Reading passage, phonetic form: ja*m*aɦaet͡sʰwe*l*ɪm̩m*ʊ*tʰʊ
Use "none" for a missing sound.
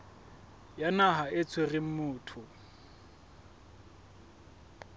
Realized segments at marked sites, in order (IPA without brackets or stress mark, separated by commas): n, r, ʊː